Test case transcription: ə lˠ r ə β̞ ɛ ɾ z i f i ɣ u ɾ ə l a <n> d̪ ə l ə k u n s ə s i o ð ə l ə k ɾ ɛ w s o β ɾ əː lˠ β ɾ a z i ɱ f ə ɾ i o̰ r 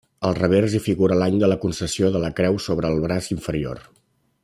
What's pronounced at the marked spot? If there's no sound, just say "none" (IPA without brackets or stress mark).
ɲ